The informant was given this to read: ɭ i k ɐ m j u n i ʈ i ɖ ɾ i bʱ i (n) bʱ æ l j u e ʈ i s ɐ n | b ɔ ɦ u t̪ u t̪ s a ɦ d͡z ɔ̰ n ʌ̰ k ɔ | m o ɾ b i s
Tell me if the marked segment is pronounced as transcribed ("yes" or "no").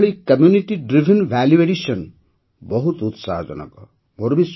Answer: yes